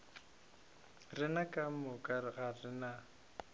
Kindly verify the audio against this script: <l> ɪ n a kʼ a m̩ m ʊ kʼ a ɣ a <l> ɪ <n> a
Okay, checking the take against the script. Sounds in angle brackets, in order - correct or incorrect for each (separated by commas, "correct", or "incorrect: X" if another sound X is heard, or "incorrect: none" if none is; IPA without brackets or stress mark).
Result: incorrect: r, incorrect: r, correct